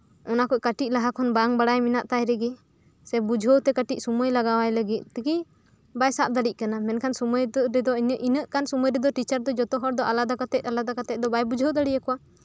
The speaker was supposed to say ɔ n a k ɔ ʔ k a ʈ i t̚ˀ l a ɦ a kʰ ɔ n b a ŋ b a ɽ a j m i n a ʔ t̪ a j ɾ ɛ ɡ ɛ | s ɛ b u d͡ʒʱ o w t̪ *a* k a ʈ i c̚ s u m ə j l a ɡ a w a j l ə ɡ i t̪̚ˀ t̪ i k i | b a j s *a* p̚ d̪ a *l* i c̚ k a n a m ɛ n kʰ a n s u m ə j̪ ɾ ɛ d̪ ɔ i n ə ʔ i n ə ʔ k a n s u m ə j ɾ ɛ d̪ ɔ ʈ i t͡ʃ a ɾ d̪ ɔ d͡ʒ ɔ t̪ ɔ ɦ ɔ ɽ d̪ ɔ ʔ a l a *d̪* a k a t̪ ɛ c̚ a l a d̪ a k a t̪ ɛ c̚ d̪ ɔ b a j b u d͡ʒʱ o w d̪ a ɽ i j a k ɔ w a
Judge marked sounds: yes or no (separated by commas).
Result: no, yes, no, yes